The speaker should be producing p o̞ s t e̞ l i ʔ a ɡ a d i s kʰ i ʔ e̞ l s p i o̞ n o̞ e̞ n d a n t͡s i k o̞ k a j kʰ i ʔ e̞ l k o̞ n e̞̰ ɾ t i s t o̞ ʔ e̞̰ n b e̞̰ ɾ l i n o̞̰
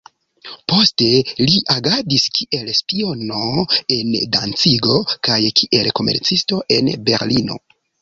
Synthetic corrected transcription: p o̞ s t e̞ l i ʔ a ɡ a d i s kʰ i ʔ e̞ l s p i o̞ n o̞ e̞ n d a n t͡s i ɡ o̞ k a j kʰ i ʔ e̞ l k o̞ m e̞̰ ɾ t͡s i s t o̞ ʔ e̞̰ n b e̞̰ ɾ l i n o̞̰